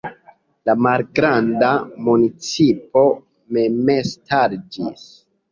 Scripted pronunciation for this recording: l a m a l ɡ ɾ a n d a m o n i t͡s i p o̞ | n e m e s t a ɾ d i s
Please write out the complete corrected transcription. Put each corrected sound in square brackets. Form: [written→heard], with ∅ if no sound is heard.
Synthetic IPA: l a m a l ɡ ɾ a n d a m [o→u] n i t͡s i p o̞ | [n→m] e m e s t a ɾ [d→d͡ʒ] i s